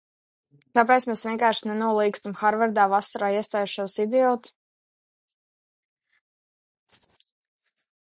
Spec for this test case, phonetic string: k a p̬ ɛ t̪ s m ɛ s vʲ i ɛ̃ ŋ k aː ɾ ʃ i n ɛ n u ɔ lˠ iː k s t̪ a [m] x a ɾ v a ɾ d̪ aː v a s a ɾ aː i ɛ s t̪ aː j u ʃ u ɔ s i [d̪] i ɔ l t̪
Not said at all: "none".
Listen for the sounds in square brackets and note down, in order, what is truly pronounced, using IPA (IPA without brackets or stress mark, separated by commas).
m, d̪